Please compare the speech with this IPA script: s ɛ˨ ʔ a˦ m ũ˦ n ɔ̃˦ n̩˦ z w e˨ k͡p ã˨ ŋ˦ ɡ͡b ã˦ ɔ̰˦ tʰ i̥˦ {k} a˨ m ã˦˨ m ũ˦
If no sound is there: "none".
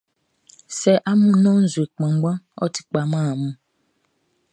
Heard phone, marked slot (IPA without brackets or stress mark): k͡p